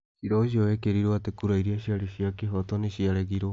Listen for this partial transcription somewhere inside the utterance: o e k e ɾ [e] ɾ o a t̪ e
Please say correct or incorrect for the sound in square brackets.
incorrect